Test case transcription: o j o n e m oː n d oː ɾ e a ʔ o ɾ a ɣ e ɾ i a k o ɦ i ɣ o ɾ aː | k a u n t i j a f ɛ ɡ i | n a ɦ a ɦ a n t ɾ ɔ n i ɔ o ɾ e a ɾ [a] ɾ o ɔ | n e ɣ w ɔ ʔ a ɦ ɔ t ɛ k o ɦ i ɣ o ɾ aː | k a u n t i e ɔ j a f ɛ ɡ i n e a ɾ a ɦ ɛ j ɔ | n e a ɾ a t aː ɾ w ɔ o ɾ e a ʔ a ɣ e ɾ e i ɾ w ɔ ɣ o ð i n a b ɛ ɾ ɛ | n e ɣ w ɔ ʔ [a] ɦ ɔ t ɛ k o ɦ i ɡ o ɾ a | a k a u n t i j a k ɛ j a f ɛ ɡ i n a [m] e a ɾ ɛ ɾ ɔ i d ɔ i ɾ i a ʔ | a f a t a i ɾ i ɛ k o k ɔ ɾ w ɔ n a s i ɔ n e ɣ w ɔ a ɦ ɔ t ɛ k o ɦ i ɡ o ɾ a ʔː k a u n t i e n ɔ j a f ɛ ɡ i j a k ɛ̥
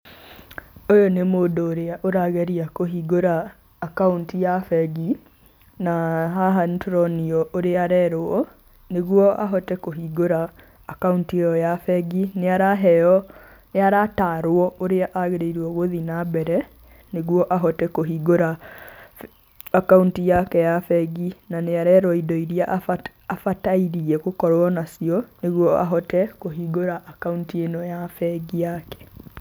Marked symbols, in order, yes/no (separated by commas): no, yes, no